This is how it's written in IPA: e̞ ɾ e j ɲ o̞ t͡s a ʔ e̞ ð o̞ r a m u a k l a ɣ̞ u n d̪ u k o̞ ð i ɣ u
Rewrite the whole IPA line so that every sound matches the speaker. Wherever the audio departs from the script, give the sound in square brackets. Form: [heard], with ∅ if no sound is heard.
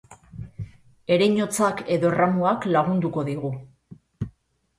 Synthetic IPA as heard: e̞ ɾ e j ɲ o̞ t͡s a [k] e̞ ð o̞ r a m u a k l a ɣ̞ u n d̪ u k o̞ ð i ɣ u